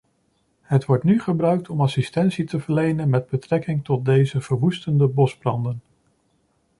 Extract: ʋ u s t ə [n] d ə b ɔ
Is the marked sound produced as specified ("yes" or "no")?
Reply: yes